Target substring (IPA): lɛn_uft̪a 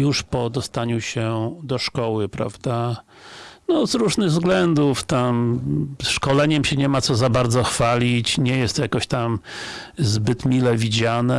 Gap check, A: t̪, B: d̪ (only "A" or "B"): B